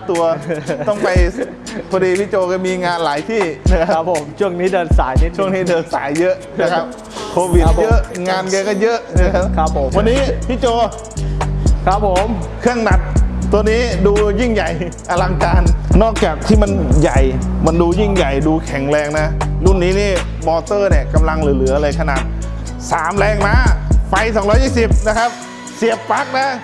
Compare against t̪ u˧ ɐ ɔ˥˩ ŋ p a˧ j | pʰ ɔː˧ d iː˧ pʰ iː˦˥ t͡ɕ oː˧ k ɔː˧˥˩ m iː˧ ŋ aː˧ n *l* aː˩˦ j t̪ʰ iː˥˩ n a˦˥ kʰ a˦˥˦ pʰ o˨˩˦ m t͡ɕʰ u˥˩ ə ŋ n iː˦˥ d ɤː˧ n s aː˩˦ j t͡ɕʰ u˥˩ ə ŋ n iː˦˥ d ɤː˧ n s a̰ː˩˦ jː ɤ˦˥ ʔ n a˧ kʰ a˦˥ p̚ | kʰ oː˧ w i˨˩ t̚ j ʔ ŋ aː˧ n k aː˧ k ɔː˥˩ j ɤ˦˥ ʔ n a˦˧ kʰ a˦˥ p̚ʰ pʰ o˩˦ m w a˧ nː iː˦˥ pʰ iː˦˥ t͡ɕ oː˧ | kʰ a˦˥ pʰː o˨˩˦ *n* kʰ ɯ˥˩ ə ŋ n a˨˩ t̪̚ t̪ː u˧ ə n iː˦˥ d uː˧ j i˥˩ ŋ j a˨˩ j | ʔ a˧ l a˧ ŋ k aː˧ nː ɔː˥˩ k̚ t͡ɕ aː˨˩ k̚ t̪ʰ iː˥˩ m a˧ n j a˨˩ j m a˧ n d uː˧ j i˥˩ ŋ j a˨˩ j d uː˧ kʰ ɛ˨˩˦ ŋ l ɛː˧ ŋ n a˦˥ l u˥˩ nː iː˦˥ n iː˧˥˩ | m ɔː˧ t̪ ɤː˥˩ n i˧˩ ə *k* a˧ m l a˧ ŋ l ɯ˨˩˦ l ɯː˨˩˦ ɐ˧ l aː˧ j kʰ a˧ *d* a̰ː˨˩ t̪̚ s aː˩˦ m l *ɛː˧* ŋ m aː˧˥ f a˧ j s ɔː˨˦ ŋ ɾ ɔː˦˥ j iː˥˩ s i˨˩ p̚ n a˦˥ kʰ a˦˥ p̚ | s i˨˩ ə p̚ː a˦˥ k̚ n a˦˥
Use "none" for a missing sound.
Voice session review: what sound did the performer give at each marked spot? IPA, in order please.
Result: l, m, k, n, ɛː˧

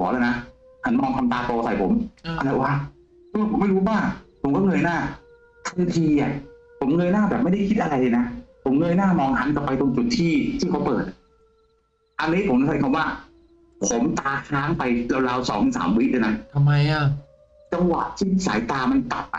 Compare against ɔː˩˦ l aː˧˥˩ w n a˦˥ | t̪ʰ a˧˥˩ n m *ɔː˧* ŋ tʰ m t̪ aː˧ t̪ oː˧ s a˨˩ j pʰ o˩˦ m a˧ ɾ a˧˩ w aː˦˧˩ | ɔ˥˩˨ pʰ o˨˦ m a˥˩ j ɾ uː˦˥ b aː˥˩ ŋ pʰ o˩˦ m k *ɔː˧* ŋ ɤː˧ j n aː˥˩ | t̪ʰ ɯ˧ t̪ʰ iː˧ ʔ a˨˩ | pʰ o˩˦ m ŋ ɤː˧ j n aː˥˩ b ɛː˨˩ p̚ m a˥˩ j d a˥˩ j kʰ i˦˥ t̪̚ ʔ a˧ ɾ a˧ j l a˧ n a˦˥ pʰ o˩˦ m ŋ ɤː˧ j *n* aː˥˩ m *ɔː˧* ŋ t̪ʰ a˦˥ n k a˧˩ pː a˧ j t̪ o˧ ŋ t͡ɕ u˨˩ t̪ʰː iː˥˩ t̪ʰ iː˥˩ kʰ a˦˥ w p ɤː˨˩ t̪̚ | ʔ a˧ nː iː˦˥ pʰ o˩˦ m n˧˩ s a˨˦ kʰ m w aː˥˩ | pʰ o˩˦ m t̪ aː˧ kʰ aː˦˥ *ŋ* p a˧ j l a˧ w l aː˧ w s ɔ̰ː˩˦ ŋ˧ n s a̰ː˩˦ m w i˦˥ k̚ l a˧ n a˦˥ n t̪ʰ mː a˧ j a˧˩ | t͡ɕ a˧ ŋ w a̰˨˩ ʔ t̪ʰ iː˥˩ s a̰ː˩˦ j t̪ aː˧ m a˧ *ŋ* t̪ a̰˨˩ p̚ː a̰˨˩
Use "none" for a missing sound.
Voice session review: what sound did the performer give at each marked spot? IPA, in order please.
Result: ɔː˧, ɔː˥˩, n, ɔː˧, ŋ, n

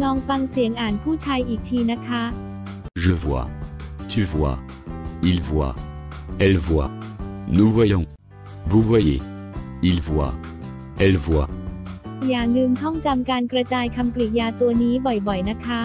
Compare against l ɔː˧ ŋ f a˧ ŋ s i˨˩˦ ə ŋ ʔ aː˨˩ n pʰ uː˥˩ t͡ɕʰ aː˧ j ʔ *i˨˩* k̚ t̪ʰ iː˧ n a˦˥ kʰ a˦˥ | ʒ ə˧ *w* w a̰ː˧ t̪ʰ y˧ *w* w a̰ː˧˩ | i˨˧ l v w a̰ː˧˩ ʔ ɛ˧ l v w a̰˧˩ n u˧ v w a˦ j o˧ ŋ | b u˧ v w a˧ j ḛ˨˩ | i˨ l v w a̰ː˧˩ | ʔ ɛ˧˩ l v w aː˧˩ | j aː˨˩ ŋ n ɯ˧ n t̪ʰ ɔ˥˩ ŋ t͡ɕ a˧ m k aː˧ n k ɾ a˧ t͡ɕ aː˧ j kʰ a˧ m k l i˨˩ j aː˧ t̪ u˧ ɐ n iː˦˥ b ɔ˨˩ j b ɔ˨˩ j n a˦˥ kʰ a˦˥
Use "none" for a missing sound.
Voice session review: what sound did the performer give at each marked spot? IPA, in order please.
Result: iː˨˩, v, v

